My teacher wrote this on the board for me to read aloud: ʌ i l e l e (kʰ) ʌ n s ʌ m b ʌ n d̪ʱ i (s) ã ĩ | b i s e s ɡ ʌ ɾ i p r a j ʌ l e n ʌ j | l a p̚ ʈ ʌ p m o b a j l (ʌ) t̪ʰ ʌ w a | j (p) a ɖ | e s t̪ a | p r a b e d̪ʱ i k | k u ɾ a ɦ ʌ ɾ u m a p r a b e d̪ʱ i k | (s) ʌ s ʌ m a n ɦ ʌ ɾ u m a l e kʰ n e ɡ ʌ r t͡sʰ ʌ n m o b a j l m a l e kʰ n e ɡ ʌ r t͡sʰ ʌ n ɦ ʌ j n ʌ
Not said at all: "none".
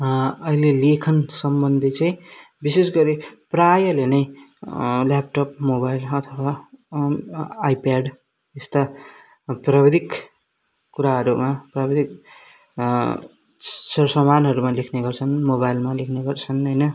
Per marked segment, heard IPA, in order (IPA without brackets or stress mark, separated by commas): kʰ, t͡s, ʌ, p, s